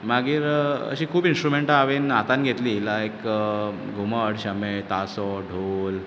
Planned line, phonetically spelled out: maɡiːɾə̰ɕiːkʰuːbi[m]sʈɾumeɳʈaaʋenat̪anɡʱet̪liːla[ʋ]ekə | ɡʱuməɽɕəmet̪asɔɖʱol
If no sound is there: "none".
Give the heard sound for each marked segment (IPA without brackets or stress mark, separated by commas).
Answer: n, none